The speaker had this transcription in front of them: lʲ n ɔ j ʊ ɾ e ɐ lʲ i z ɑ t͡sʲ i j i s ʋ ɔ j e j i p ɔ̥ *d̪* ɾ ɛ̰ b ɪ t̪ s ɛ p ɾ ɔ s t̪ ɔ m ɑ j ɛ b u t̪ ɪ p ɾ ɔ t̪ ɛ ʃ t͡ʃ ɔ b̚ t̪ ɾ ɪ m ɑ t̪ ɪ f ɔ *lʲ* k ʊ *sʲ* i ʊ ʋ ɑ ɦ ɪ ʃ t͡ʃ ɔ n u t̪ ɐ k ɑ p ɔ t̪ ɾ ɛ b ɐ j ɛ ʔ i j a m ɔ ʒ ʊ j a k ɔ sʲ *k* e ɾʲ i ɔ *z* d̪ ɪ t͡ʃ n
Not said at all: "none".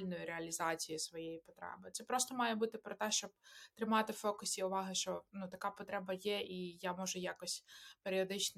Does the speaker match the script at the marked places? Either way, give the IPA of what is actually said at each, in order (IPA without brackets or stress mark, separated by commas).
t̪, none, sʲ, p, none